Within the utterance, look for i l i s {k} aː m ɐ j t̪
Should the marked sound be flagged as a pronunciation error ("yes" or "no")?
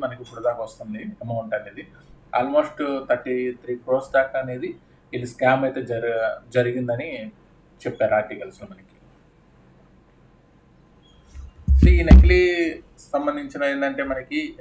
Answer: no